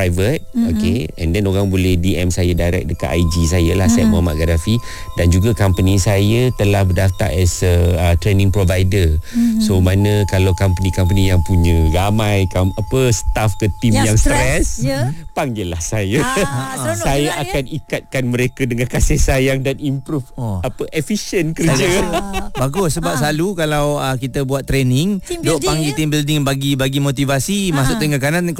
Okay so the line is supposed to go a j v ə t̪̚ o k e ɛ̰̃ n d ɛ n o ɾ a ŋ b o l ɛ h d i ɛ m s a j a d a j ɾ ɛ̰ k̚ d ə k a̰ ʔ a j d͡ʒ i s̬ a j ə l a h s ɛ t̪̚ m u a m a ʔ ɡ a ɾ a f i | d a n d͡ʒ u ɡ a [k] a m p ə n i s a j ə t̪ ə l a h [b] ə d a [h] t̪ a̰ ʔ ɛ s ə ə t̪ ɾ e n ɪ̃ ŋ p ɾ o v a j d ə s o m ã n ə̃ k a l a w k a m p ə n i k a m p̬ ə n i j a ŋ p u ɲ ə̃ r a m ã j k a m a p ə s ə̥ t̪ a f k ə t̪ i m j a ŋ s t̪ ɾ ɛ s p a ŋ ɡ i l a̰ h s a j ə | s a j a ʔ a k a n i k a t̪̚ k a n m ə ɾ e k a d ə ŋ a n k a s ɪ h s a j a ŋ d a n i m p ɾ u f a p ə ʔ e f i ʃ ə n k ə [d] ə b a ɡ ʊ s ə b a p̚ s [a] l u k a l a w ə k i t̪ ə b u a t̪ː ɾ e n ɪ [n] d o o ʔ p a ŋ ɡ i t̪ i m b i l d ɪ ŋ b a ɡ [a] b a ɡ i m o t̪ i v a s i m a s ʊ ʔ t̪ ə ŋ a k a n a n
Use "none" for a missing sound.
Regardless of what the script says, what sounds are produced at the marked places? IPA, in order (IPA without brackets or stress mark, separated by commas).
k, b, f, d͡ʒ, a, ŋ, i